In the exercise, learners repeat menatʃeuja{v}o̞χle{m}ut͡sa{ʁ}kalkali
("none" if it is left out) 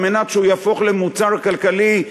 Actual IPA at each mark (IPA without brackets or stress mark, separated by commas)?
f, m, ʁ